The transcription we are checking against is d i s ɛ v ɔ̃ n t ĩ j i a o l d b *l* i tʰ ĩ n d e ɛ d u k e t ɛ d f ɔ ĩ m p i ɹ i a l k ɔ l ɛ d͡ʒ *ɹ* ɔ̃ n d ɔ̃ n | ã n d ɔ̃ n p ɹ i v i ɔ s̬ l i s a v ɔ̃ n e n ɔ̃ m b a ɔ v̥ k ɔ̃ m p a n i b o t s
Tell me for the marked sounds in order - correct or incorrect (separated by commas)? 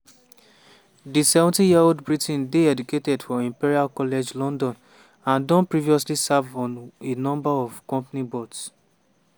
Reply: incorrect, incorrect